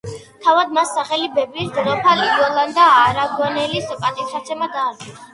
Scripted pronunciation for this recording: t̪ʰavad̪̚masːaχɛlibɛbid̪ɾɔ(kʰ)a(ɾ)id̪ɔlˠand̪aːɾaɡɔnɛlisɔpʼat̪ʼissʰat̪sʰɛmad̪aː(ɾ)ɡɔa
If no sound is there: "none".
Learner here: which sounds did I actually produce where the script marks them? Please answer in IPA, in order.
pʰ, l, ɾ

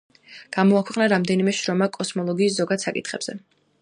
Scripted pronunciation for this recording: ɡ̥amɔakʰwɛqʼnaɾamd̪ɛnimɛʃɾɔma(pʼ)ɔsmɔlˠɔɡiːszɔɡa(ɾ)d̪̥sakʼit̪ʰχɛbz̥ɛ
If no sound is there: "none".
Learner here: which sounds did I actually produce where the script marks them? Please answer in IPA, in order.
kʼ, none

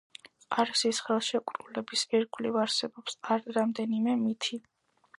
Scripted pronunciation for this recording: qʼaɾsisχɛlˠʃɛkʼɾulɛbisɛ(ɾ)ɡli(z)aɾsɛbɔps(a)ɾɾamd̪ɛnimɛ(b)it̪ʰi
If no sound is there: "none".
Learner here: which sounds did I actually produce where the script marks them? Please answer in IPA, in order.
ɾ, v, a, m

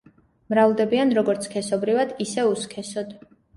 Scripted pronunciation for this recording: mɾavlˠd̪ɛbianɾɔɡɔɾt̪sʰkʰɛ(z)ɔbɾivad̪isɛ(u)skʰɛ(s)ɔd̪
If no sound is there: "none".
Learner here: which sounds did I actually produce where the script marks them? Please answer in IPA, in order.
s, u, s

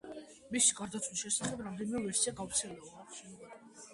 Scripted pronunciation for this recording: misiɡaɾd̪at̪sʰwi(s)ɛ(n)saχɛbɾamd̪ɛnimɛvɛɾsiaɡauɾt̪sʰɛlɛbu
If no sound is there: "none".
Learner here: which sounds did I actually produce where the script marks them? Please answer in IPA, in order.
ʃ, none

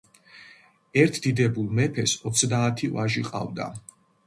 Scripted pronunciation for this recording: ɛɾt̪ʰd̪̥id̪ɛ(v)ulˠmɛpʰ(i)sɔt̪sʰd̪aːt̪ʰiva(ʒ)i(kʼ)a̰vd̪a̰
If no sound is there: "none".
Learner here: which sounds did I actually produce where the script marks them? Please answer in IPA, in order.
b, ɛ, ʒ, qʼ

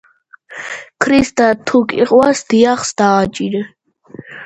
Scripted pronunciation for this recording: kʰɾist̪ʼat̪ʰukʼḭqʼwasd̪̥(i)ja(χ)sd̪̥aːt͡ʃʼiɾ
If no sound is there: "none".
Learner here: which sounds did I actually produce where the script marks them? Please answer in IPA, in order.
i, χ

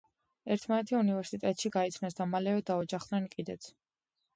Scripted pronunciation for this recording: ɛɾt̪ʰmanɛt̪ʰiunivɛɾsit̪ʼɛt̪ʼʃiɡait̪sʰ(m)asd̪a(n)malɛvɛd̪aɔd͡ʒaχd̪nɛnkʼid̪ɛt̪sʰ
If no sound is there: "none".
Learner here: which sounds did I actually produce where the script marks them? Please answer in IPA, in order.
n, none

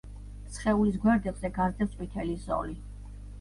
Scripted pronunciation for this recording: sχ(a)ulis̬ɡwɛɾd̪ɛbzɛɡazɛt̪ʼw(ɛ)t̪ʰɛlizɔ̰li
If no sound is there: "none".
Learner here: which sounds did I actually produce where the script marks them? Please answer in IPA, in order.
ɛ, i

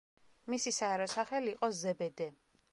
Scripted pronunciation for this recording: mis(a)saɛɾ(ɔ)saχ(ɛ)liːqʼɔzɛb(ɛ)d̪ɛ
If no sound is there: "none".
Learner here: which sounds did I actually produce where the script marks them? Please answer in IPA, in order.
i, ɔ, ɛ, ɛ

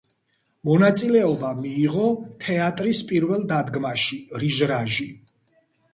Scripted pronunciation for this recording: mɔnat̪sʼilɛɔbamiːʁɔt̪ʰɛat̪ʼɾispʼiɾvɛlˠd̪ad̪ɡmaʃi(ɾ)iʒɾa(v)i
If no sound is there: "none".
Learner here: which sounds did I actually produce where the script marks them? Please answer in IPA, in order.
ɾ, ʒ

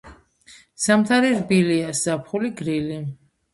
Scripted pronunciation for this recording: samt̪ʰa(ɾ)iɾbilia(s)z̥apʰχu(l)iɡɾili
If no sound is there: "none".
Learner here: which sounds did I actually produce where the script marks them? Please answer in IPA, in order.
ɾ, s, l

